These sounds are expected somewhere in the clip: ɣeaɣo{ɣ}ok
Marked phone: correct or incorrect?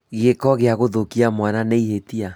incorrect